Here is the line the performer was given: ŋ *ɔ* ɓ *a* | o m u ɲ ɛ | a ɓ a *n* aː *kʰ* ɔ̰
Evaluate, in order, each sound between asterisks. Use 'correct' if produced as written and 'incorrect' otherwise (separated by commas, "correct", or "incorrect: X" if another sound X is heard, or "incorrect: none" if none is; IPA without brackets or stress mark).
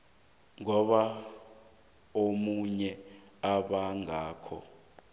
correct, correct, incorrect: ŋ, correct